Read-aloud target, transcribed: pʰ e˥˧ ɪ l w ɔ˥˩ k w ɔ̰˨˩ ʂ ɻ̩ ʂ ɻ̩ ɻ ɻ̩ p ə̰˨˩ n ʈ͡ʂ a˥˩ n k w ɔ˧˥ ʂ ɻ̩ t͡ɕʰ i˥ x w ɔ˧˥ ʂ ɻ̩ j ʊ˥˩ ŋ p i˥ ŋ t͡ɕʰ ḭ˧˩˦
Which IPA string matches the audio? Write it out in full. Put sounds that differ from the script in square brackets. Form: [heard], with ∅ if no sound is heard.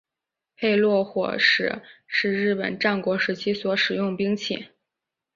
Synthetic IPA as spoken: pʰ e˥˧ ɪ l w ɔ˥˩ [x] w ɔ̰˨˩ ʂ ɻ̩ ʂ ɻ̩ ɻ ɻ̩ p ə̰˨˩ n ʈ͡ʂ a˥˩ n k w ɔ˧˥ ʂ ɻ̩ t͡ɕʰ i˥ [s] w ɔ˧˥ ʂ ɻ̩ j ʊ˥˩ ŋ p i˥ ŋ t͡ɕʰ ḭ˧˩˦